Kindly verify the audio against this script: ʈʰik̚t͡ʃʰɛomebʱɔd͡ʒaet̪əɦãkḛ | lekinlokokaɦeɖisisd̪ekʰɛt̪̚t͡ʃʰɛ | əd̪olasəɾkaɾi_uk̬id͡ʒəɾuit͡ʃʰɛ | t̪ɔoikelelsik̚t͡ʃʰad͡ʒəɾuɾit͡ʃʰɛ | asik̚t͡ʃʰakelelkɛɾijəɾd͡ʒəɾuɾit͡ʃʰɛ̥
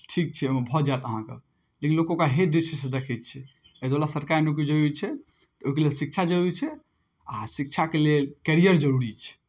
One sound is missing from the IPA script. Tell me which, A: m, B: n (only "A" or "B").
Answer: B